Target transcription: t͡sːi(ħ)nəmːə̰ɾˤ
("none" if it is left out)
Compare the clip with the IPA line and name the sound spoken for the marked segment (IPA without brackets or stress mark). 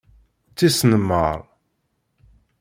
s